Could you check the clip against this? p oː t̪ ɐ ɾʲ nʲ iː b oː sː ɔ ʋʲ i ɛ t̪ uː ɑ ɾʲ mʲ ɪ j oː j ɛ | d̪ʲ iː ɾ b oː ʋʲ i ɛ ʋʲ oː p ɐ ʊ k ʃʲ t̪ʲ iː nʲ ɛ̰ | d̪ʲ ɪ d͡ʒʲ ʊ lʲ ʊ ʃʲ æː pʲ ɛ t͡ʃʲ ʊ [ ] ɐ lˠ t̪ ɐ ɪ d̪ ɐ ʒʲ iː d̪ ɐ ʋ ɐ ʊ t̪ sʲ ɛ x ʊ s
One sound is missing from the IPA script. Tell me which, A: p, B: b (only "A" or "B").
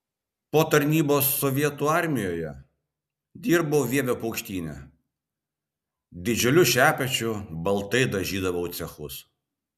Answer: B